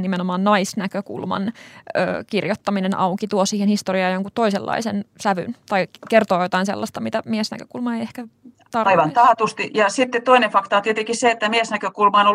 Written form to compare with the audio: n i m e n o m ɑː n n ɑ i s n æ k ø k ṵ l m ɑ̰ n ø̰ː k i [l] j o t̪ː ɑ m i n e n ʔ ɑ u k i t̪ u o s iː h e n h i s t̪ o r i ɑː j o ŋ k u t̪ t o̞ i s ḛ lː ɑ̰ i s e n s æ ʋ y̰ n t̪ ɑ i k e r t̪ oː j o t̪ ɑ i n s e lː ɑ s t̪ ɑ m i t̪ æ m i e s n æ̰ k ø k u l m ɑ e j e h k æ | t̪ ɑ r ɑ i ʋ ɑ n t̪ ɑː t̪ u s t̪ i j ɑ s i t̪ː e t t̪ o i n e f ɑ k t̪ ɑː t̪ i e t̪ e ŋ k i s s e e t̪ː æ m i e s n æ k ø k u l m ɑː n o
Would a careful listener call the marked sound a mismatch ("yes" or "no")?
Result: yes